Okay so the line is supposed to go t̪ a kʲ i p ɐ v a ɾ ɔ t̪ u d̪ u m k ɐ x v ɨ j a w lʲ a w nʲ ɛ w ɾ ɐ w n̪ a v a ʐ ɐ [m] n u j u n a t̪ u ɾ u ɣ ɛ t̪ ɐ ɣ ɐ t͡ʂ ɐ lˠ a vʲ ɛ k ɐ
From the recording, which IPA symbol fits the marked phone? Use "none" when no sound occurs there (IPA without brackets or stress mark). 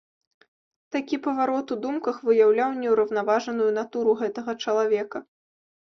none